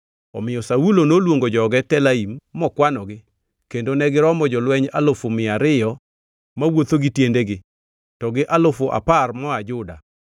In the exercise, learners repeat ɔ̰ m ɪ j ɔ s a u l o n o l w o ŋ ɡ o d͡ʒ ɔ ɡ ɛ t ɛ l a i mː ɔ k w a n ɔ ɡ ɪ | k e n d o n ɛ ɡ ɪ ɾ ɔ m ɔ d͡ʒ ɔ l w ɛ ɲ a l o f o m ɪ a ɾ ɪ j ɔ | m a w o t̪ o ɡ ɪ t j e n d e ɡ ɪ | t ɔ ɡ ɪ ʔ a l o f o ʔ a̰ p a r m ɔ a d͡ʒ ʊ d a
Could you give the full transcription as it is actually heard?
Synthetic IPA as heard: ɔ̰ m ɪ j ɔ s a u l o n o l w o ŋ ɡ o d͡ʒ ɔ ɡ ɛ t ɛ l a i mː ɔ k w a n ɔ ɡ ɪ | k e n d o n ɛ ɡ ɪ ɾ ɔ m ɔ d͡ʒ ɔ l w ɛ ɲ a l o f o m ɪ a ɾ ɪ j ɔ | m a w o t̪ o ɡ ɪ t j e n d e ɡ ɪ | t ɔ ɡ ɪ ʔ a l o f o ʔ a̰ p a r m ɔ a d͡ʒ ʊ d a